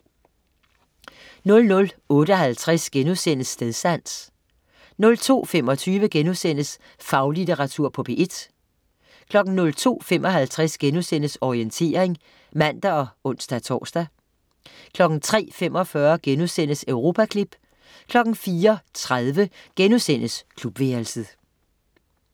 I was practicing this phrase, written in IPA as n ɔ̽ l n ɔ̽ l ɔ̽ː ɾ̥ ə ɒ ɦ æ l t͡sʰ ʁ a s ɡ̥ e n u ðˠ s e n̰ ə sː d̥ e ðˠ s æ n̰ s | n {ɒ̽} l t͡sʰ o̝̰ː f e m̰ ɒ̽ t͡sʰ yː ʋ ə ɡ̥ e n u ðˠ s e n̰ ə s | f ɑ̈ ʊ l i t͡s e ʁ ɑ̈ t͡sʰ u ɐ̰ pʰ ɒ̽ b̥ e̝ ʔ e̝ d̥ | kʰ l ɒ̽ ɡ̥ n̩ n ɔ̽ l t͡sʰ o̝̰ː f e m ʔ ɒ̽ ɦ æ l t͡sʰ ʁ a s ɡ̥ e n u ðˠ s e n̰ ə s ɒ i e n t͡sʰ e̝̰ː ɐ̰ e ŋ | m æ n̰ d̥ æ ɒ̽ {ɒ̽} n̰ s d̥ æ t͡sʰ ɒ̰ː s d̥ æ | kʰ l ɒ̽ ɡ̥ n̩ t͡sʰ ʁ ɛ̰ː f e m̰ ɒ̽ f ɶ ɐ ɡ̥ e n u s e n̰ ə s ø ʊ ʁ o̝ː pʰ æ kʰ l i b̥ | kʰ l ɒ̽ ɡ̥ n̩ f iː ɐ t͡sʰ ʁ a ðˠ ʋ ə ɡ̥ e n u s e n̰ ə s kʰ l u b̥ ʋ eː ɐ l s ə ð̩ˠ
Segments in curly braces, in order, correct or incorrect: incorrect: ɔ̽, incorrect: ɔ̽

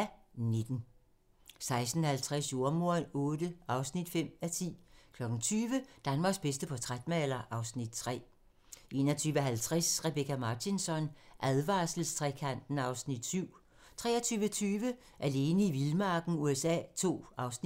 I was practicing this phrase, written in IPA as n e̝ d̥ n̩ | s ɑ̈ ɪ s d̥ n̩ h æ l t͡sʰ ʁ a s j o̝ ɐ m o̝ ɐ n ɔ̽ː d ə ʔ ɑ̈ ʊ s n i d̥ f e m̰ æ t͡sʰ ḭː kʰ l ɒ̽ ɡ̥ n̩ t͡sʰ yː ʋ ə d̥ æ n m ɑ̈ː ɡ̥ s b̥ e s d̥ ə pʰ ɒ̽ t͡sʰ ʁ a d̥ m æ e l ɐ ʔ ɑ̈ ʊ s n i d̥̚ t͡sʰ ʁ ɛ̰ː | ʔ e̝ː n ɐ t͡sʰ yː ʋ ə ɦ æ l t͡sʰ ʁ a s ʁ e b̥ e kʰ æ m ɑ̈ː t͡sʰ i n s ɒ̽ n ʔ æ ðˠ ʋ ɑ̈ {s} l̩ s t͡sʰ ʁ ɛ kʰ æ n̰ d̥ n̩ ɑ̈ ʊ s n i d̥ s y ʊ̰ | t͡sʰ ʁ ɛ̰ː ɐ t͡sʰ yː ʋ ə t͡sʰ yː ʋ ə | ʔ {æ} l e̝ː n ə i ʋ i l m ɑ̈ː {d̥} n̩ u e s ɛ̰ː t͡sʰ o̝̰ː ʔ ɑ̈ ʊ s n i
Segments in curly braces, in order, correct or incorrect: correct, correct, incorrect: ɡ̥

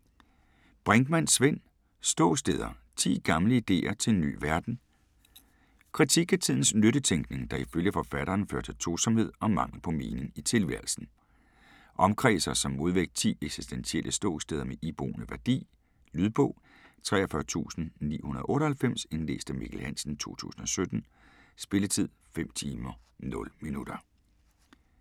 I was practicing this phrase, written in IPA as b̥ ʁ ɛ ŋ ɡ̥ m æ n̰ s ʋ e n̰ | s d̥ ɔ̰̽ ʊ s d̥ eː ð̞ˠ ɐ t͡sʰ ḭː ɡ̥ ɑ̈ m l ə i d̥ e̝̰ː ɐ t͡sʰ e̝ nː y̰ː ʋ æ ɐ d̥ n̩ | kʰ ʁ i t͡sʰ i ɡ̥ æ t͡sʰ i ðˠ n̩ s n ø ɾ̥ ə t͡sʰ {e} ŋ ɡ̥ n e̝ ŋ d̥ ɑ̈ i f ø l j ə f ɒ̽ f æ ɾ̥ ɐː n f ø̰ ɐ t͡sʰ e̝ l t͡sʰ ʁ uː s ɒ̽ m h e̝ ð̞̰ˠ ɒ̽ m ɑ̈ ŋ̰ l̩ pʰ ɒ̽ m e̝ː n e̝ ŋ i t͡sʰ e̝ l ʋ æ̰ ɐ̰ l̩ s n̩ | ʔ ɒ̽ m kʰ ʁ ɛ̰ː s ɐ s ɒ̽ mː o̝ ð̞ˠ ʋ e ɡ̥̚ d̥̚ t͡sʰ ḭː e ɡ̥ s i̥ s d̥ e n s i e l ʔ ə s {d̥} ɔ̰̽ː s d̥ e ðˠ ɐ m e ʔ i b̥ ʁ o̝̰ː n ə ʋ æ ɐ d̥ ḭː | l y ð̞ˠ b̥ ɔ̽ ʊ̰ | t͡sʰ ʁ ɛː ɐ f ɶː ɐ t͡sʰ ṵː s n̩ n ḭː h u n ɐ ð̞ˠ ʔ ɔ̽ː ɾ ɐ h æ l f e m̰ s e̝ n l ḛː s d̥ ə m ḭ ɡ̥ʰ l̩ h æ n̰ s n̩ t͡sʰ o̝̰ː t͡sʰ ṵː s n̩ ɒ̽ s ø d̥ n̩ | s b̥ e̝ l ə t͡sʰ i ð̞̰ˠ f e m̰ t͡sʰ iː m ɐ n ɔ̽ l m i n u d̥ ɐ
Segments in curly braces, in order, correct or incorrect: correct, correct

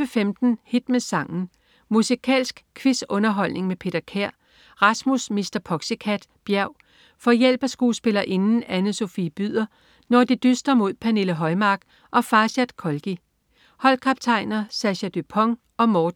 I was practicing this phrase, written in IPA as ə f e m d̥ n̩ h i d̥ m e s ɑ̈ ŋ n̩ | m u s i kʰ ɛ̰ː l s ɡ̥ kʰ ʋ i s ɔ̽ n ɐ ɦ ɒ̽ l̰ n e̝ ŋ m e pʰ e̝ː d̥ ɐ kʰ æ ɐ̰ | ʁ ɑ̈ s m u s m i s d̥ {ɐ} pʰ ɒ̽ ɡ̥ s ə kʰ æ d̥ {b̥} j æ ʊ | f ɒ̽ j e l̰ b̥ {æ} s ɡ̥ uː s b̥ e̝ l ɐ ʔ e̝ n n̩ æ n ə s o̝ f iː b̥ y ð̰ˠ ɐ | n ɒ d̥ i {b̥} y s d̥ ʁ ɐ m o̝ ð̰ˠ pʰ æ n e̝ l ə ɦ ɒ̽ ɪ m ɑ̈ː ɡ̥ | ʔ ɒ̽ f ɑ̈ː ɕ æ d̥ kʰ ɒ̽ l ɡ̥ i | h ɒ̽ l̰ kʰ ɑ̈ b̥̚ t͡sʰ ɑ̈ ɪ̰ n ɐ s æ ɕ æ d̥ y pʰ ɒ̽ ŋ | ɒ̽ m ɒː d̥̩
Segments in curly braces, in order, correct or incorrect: correct, correct, correct, incorrect: d̥

